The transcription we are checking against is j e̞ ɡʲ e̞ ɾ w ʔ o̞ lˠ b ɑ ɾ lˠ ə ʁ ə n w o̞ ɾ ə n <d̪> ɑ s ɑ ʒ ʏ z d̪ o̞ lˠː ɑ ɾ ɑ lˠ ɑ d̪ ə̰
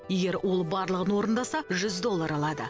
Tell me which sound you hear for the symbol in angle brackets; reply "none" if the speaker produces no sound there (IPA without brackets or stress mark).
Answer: d̪